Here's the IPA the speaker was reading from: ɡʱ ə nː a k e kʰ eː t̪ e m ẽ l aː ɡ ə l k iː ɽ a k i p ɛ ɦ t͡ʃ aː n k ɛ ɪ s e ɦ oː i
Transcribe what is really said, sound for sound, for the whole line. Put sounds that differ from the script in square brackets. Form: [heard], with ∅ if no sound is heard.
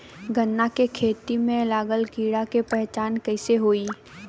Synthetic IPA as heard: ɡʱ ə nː a k e kʰ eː t̪ [i] m ẽ l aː ɡ ə l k iː ɽ a k [e] p ɛ ɦ t͡ʃ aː n k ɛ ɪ s e ɦ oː i